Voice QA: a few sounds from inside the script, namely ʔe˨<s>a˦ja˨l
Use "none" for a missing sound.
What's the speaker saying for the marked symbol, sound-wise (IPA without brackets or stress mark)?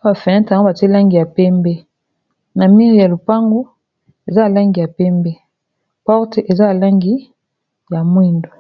z